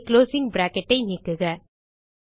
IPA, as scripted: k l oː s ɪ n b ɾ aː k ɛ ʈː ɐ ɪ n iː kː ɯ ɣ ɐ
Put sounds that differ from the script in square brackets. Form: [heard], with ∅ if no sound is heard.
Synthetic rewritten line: k l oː s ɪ [ŋ] b ɾ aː k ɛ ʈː ɐ ɪ n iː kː ɯ ɣ ɐ